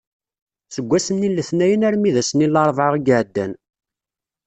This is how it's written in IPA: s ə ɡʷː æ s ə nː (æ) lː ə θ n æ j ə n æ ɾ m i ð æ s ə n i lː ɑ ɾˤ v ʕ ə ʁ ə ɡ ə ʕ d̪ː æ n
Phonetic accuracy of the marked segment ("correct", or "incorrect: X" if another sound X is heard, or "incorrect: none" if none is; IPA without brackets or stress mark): incorrect: i